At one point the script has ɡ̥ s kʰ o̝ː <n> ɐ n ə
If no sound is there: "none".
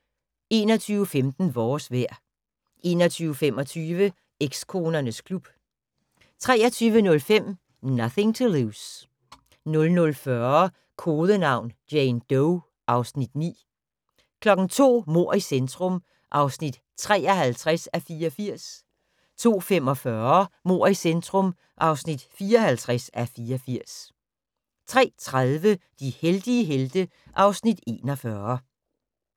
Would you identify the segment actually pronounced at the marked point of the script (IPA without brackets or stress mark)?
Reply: n